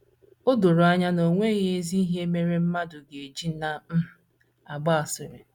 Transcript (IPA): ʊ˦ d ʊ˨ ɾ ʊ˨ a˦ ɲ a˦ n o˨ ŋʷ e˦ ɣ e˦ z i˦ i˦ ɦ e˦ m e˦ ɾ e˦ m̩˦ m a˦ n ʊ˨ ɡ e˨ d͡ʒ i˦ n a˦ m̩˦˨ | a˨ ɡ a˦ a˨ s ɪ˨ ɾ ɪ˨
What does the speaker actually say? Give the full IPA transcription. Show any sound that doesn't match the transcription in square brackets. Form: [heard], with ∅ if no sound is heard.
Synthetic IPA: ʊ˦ d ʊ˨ ɾ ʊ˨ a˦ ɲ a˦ n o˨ ŋʷ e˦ ɣ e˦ z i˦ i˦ ɦ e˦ m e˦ ɾ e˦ m̩˦ m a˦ [d] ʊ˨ ɡ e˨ d͡ʒ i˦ n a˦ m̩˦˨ | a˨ [ɡ͡b] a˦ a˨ s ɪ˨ ɾ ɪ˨